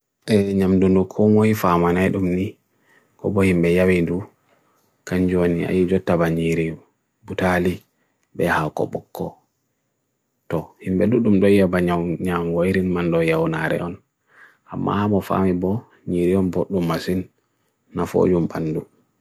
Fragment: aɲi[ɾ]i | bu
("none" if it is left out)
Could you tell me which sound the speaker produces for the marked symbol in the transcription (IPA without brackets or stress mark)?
ɾ